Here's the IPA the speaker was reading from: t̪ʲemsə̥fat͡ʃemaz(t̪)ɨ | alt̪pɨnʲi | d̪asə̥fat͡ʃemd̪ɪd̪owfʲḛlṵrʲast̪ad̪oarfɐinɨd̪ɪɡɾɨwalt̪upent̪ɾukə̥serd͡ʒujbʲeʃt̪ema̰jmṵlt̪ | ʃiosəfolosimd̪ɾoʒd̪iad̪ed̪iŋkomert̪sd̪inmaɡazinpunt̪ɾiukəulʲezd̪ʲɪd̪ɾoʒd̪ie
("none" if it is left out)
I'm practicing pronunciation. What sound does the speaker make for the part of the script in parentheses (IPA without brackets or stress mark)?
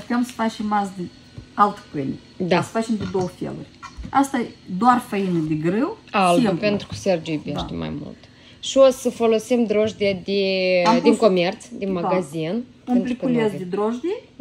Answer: d̪